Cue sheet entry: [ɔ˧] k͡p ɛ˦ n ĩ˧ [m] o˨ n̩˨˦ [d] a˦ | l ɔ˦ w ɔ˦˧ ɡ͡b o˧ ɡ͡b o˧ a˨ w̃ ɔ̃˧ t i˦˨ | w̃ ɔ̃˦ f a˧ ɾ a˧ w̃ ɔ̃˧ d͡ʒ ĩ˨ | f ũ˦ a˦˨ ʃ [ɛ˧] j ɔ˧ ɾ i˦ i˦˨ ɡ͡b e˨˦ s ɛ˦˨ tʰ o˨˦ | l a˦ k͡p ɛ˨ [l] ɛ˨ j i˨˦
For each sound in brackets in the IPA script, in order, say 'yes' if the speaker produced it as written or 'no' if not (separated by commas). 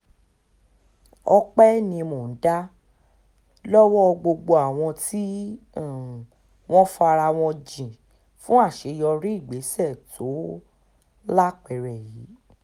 yes, yes, yes, no, no